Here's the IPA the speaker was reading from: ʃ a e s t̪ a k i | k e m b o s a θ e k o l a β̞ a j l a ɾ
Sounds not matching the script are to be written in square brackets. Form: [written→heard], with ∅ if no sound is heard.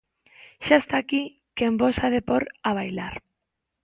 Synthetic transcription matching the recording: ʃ a e s t̪ a k i | k e m b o s a [θ→ð] e [k→p] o [l→ɾ] a β̞ a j l a ɾ